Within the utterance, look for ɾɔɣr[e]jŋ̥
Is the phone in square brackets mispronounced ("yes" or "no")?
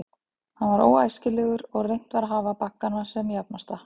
no